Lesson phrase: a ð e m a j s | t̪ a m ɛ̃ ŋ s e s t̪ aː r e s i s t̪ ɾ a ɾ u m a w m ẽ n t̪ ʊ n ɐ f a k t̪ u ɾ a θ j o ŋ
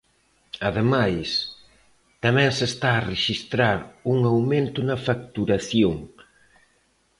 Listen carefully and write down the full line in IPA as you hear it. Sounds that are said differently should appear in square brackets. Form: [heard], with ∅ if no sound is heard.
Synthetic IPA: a ð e m a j s | t̪ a m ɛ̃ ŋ s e s t̪ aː r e [ʃ] i s t̪ ɾ a ɾ u [ŋ] a w m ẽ n t̪ ʊ n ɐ f a k t̪ u ɾ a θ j o ŋ